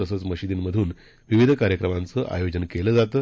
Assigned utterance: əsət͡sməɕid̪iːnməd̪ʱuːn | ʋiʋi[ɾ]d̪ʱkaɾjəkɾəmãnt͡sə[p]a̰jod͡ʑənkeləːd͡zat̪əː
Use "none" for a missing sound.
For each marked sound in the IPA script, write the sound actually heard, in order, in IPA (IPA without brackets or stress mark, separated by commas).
none, ʔ